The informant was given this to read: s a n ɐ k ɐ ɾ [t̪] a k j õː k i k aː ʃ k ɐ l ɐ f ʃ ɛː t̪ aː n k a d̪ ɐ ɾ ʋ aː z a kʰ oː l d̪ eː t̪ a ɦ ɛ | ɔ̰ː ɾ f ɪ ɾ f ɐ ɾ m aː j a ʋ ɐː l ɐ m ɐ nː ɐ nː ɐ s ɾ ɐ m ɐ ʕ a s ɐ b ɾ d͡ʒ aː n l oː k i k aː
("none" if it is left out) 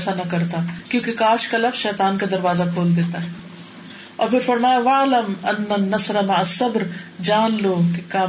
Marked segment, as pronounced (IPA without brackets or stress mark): t̪